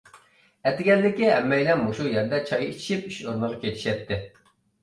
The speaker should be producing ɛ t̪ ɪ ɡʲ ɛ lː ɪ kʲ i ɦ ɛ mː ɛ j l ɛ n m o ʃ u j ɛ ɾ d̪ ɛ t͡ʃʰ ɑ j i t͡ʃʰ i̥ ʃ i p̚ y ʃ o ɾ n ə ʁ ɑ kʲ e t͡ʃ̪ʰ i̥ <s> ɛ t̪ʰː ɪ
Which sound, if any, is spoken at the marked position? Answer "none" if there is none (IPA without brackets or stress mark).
ʃ